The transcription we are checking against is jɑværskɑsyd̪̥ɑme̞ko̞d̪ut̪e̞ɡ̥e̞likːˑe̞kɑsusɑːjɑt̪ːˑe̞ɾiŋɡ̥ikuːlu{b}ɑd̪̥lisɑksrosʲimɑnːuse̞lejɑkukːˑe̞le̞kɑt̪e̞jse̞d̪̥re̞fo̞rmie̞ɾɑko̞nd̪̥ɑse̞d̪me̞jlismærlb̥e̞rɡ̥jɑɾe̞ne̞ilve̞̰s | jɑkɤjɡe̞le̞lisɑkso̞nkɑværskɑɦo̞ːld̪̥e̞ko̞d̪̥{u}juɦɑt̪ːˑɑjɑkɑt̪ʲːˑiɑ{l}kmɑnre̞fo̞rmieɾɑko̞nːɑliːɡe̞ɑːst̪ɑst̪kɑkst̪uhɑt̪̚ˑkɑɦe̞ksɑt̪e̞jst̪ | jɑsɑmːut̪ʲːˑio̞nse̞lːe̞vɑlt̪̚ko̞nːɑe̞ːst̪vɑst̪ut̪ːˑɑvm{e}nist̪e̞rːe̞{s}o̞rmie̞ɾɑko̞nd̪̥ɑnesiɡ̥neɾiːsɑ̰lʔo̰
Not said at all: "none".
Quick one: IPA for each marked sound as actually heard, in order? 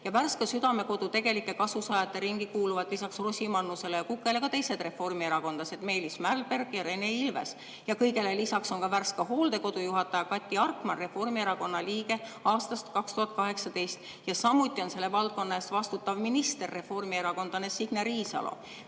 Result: v, u, r, i, f

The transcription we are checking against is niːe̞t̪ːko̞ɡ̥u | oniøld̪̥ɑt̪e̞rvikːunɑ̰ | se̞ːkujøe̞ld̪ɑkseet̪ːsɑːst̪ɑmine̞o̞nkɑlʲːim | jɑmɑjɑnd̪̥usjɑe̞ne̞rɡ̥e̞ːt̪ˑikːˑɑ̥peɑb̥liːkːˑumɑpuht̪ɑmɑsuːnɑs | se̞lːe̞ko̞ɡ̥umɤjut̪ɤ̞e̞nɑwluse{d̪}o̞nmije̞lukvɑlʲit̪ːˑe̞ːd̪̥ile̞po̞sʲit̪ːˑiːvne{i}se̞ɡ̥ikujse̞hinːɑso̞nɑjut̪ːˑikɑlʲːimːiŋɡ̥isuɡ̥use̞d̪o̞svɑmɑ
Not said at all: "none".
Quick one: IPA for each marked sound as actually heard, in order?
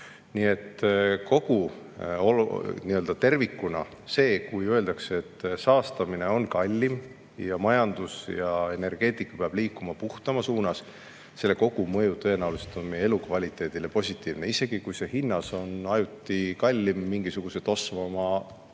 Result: t̪, i

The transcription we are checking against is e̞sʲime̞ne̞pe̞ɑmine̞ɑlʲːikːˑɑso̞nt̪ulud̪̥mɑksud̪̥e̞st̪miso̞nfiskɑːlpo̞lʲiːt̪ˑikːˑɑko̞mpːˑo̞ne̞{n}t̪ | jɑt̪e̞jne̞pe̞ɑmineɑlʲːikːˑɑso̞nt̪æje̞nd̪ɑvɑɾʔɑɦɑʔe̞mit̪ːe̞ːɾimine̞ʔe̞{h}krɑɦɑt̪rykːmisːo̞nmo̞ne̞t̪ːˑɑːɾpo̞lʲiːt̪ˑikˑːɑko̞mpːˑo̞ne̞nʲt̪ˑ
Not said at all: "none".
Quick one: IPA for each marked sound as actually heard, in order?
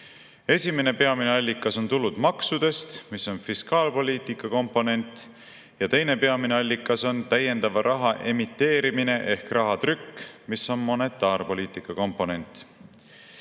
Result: n, h

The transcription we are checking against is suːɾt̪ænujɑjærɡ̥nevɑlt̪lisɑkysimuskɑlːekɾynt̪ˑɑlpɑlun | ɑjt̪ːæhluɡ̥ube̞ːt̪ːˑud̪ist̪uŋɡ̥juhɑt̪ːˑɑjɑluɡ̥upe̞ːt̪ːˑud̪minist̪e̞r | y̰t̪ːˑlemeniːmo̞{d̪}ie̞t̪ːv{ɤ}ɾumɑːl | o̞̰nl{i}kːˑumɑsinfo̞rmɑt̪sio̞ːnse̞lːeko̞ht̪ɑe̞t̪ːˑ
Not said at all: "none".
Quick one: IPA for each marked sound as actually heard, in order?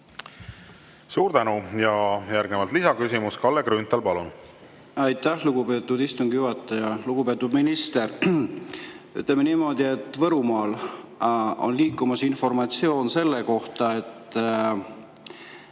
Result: d̪, ɤ, iː

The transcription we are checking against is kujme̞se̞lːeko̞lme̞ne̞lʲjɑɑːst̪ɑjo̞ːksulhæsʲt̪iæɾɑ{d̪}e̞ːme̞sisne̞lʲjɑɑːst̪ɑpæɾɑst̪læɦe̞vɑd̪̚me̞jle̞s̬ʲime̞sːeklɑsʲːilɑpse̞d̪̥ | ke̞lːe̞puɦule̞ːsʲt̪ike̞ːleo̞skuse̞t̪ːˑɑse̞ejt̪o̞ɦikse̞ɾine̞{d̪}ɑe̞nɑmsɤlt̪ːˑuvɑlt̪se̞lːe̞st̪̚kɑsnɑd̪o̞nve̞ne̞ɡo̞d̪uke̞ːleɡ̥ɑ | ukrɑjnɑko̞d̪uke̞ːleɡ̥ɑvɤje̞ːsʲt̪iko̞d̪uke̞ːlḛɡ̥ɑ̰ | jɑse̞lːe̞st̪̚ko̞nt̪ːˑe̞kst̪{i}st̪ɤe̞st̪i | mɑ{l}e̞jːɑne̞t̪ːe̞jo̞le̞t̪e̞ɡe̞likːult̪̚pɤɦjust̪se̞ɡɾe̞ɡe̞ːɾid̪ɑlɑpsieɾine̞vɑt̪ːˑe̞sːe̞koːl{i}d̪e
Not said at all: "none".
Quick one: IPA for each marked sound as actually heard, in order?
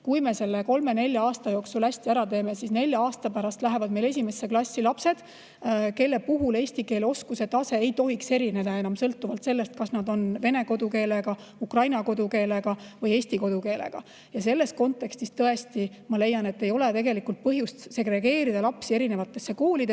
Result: t̪, d̪, i, l, i

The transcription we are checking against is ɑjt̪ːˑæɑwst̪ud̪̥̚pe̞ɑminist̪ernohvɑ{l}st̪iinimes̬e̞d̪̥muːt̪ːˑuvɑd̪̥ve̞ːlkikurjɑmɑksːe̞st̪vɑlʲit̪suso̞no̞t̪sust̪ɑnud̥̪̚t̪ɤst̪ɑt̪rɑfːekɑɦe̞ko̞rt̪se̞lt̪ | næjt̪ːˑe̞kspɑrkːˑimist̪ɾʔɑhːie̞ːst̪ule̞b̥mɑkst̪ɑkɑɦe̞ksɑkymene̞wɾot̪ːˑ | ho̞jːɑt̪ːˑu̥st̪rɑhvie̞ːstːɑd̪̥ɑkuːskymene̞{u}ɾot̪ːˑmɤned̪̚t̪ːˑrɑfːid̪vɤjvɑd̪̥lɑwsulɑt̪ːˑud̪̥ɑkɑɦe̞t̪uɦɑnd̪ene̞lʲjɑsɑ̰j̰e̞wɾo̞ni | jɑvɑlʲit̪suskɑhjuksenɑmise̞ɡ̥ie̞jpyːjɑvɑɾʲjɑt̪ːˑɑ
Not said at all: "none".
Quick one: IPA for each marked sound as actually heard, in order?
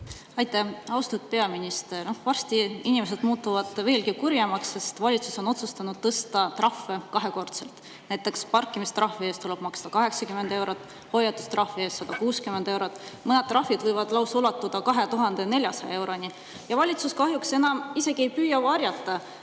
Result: r, w

